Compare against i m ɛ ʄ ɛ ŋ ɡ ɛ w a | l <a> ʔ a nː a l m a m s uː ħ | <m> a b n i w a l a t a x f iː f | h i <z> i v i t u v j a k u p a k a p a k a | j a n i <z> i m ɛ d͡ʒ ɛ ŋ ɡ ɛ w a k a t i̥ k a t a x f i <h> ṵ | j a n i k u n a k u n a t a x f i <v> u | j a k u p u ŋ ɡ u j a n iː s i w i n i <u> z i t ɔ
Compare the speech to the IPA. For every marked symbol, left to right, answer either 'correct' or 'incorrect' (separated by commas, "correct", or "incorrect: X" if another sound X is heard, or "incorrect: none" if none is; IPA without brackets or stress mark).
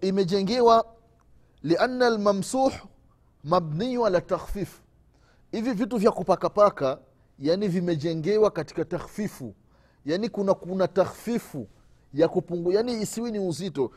incorrect: i, correct, incorrect: v, incorrect: v, incorrect: f, incorrect: f, correct